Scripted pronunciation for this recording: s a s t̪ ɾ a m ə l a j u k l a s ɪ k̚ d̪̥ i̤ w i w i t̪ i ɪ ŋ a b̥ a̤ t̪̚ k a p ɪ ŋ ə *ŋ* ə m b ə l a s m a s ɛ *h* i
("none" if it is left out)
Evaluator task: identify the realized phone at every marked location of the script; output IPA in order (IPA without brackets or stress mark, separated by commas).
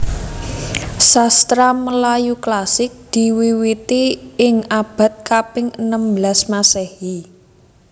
n, h